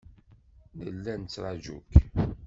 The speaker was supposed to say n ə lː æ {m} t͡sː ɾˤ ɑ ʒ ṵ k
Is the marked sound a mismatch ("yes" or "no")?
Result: yes